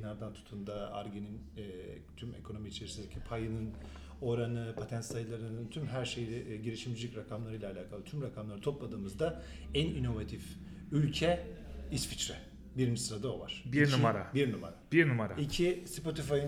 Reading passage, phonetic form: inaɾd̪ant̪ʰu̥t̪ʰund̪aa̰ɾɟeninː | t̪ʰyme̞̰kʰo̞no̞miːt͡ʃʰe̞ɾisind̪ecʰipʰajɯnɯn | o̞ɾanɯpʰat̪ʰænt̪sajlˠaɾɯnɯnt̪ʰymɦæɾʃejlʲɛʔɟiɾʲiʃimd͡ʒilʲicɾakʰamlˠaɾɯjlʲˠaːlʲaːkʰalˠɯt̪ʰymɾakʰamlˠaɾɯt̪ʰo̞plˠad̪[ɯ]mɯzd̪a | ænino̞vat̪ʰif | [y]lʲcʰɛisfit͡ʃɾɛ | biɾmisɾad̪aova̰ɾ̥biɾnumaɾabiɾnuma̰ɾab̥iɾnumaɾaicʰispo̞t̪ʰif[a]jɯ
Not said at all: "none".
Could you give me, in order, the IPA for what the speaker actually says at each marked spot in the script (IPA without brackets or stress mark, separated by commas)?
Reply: ɯː, y, a